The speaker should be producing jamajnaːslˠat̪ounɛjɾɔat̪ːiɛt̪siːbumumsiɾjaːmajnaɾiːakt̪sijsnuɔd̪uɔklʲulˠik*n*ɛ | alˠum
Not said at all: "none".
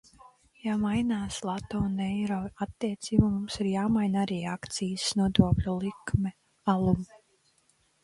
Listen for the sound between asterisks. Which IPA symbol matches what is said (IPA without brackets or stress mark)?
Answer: m